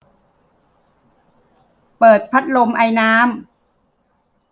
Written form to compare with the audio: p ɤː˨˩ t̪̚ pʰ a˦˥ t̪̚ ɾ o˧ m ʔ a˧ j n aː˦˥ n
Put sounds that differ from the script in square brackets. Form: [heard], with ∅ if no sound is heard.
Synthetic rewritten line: p ɤː˨˩ t̪̚ pʰ a˦˥ t̪̚ [l] o˧ m ʔ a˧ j n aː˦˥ [m]